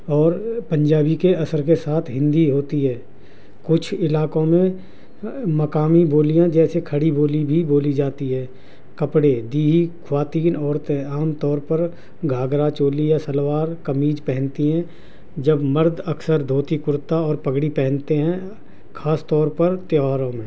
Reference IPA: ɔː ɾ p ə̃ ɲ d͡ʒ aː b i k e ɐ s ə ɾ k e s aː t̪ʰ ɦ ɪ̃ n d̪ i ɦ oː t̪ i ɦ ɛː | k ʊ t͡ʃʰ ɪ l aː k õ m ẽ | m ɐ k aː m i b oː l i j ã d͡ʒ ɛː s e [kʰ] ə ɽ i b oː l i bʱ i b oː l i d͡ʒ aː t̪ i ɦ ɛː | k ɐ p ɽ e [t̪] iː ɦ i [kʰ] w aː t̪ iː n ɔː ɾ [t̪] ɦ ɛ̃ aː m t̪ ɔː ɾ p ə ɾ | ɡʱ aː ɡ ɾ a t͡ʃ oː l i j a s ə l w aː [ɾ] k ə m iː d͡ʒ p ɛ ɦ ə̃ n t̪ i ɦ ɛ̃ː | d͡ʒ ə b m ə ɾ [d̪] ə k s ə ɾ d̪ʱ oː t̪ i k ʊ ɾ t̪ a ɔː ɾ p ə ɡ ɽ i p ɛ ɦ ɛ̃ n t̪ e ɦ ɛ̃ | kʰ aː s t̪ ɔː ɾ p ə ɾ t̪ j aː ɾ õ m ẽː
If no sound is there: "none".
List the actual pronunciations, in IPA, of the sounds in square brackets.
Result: kʰ, d̪, kʰ, t̪, ɾ, d̪

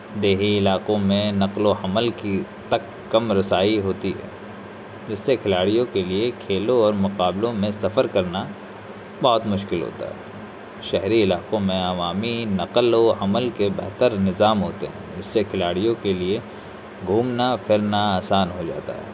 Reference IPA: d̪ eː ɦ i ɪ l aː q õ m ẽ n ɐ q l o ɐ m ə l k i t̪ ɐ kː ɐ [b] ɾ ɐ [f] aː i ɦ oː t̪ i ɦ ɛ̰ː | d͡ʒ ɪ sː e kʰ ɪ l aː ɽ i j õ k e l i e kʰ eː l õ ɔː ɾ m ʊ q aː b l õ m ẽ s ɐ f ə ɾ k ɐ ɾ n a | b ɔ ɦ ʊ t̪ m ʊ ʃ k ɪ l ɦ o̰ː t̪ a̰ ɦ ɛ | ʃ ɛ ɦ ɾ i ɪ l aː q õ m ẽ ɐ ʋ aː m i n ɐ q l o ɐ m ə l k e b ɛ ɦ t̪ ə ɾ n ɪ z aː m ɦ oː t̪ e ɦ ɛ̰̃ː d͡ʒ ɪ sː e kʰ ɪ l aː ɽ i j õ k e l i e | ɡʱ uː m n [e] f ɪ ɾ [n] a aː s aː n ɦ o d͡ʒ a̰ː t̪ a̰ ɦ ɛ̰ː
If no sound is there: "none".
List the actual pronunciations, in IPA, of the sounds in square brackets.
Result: m, s, a, n

